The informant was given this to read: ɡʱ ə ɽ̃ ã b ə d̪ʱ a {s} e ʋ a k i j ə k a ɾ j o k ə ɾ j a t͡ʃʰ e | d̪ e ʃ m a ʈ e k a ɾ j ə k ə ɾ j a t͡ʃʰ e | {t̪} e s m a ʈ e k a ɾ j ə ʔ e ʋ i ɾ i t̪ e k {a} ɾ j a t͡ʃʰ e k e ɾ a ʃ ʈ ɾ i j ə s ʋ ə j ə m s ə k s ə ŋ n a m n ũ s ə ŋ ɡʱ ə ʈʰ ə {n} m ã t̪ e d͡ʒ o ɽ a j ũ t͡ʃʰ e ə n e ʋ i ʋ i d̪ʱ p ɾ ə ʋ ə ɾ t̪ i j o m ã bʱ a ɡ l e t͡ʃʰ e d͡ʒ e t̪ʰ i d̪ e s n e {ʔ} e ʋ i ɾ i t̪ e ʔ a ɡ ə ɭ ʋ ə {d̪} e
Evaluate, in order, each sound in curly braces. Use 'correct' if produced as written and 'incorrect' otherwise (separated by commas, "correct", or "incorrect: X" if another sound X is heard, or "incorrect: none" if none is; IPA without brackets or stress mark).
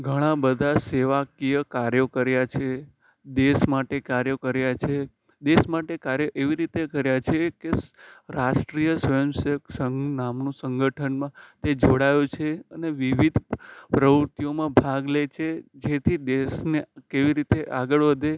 correct, incorrect: d̪, incorrect: ə, correct, incorrect: k, correct